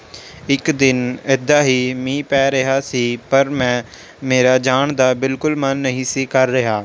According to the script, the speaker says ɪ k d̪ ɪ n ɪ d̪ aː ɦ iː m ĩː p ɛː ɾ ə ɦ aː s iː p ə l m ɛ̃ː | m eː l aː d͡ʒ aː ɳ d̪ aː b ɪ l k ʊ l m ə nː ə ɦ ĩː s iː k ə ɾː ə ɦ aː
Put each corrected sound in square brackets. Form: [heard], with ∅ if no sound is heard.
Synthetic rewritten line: ɪ k d̪ ɪ n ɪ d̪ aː ɦ iː m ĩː p ɛː ɾ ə ɦ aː s iː p ə [ɾ] m ɛ̃ː | m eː [ɾ] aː d͡ʒ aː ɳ d̪ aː b ɪ l k ʊ l m ə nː ə ɦ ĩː s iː k ə ɾː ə ɦ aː

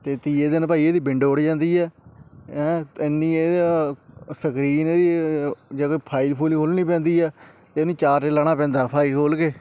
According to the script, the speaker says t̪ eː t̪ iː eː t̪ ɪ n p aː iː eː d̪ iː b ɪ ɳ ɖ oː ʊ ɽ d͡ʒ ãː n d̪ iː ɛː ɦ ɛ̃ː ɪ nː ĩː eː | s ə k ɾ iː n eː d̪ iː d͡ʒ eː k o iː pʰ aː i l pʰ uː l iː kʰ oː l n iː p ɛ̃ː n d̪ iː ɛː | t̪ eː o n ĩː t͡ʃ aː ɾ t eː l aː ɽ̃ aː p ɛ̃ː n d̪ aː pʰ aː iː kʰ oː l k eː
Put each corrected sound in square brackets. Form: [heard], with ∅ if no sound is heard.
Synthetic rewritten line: t̪ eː t̪ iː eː [d̪] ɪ n p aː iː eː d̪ iː b ɪ ɳ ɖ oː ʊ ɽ d͡ʒ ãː n d̪ iː ɛː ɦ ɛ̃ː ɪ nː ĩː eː | s ə k ɾ iː n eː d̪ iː d͡ʒ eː k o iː pʰ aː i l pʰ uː l iː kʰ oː l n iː p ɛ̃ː n d̪ iː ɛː | t̪ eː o n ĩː t͡ʃ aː ɾ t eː l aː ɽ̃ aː p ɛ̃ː n d̪ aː pʰ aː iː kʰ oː l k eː

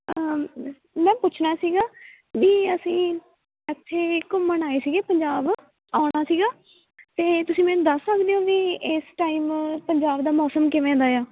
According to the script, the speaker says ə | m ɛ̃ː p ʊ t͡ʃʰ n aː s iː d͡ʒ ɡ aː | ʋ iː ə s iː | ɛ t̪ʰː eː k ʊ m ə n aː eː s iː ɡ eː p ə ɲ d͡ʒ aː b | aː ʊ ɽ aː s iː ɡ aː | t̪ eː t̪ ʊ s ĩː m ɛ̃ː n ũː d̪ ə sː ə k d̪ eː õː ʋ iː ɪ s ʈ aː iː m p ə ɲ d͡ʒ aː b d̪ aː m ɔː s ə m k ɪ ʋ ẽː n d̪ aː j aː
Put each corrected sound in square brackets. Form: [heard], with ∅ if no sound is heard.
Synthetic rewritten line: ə | m ɛ̃ː p ʊ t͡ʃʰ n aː s iː [∅] ɡ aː | ʋ iː ə s [ĩː] | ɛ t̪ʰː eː k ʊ m ə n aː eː s iː ɡ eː p ə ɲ d͡ʒ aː b | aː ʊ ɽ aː s iː ɡ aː | t̪ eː t̪ ʊ s ĩː m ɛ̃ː n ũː d̪ ə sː ə k d̪ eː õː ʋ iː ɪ s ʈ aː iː m p ə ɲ d͡ʒ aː b d̪ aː m ɔː s ə m k ɪ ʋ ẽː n d̪ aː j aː

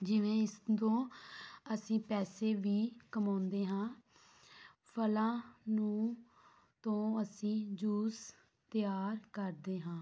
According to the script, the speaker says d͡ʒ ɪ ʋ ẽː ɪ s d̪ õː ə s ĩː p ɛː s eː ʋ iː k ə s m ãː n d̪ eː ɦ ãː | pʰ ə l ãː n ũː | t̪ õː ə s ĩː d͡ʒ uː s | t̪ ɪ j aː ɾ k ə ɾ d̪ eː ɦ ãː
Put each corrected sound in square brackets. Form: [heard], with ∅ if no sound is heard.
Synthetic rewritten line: d͡ʒ ɪ ʋ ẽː ɪ s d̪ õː ə s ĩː p ɛː s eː ʋ iː k ə [∅] m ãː n d̪ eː ɦ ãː | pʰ ə l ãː n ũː | t̪ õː ə s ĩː d͡ʒ uː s | t̪ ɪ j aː ɾ k ə ɾ d̪ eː ɦ ãː

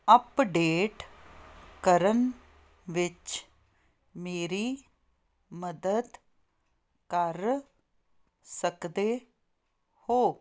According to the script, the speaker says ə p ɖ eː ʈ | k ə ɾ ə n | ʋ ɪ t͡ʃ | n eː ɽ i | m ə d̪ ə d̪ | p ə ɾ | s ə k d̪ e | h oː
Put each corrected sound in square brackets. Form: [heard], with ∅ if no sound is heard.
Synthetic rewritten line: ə p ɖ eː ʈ | k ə ɾ ə n | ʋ ɪ t͡ʃ | [m] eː [ɾ] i | m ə d̪ ə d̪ | [k] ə ɾ | s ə k d̪ e | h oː

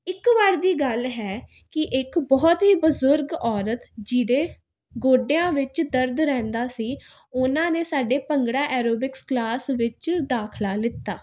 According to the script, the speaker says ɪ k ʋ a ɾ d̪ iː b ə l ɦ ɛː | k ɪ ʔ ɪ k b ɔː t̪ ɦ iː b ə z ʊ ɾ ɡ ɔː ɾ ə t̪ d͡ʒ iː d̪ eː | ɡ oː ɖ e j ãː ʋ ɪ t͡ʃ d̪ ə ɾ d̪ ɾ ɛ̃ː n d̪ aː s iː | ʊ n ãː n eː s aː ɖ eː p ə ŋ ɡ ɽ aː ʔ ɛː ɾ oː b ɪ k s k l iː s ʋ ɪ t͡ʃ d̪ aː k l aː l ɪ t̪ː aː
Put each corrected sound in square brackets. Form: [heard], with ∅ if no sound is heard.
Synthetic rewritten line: ɪ k ʋ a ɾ d̪ iː [ɡ] ə l ɦ ɛː | k ɪ ʔ ɪ k b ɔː t̪ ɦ iː b ə z ʊ ɾ ɡ ɔː ɾ ə t̪ d͡ʒ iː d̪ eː | ɡ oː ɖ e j ãː ʋ ɪ t͡ʃ d̪ ə ɾ d̪ ɾ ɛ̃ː n d̪ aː s iː | ʊ n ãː n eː s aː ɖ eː p ə ŋ ɡ ɽ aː ʔ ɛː ɾ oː b ɪ k s k l [aː] s ʋ ɪ t͡ʃ d̪ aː [kʰ] l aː l ɪ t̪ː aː

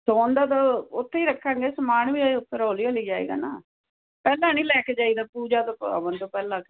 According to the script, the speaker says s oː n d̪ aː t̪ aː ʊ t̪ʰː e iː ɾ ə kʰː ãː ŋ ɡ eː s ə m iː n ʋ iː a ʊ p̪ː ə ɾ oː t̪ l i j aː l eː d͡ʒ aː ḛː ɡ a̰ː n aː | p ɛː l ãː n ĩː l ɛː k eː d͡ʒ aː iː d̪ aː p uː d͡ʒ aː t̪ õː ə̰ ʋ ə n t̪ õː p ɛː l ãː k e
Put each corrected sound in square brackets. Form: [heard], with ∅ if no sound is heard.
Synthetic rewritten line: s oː n d̪ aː t̪ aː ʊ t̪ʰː e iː ɾ ə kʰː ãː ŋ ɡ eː s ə m [aː] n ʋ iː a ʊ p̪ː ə ɾ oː [∅] l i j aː l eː d͡ʒ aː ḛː ɡ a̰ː n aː | p ɛː l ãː n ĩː l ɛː k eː d͡ʒ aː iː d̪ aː p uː d͡ʒ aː t̪ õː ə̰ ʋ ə n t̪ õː p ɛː l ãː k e

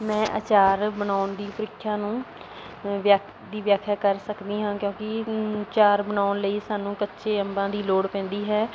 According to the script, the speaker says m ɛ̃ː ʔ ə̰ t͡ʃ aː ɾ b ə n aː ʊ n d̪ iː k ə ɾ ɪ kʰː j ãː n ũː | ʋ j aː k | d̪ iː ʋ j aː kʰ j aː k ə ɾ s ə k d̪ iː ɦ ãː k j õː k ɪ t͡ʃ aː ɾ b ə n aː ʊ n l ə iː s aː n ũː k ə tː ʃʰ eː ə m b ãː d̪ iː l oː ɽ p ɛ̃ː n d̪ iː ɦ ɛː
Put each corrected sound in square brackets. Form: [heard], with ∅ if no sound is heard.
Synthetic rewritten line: m ɛ̃ː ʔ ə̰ t͡ʃ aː ɾ b ə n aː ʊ n d̪ iː [p] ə ɾ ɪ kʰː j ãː n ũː | ʋ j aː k | d̪ iː ʋ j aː kʰ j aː k ə ɾ s ə k d̪ iː ɦ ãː k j õː k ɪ t͡ʃ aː ɾ b ə n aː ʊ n l ə iː s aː n ũː k ə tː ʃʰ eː ə m b ãː d̪ iː l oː ɽ p ɛ̃ː n d̪ iː ɦ ɛː

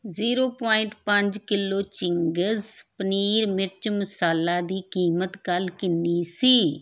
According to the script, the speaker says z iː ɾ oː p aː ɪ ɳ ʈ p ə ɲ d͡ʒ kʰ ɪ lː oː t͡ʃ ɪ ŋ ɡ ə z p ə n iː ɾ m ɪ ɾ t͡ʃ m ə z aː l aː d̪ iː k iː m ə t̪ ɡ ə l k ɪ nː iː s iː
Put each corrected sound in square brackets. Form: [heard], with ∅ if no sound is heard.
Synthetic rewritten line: z iː ɾ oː p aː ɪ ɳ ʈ p ə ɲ d͡ʒ [k] ɪ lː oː t͡ʃ ɪ ŋ ɡ ə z p ə n iː ɾ m ɪ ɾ t͡ʃ m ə [s] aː l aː d̪ iː k iː m ə t̪ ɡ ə l k ɪ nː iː s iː

